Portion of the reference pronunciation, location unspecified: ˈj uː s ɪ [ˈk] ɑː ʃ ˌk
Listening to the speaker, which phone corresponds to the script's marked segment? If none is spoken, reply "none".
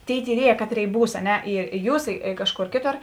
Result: k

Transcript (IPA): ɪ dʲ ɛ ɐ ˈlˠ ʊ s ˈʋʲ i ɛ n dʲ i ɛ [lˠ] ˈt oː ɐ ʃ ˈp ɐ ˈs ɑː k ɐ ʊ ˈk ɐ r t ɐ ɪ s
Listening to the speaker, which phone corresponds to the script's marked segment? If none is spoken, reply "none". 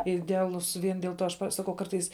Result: lˠ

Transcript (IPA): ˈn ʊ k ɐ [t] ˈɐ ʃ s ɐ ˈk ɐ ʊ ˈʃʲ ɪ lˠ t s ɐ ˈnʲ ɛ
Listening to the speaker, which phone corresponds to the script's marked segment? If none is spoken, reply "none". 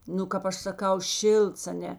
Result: p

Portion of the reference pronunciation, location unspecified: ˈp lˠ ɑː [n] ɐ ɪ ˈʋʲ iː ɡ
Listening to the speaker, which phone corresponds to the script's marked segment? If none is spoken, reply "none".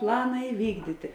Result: n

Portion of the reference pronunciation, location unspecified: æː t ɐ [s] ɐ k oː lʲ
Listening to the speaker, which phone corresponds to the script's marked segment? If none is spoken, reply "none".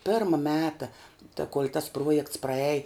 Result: t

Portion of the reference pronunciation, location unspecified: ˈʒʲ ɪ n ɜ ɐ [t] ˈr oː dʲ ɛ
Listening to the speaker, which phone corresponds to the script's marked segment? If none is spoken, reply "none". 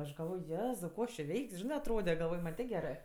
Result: t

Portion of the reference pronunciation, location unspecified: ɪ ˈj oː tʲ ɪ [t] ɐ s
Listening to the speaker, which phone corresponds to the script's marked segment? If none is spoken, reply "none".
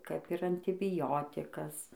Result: k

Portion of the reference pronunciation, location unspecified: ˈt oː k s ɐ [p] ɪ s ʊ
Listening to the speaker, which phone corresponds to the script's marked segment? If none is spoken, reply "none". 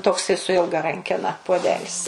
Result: none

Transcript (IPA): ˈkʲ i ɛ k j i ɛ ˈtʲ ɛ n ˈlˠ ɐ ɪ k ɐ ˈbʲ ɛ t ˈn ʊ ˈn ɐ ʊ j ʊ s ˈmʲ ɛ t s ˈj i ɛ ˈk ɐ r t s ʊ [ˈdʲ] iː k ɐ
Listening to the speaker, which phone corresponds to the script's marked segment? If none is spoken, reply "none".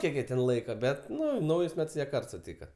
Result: tʲ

